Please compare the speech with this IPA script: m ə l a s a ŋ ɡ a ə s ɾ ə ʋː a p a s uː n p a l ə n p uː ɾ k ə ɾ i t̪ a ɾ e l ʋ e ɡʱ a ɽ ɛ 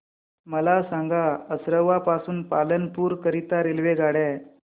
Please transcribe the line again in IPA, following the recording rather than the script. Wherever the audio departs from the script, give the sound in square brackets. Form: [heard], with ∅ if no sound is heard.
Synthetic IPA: m ə l a s a ŋ ɡ a ə s ɾ ə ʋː a p a s uː n p a l ə n p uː ɾ k ə ɾ i t̪ a ɾ e l ʋ e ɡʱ a ɽ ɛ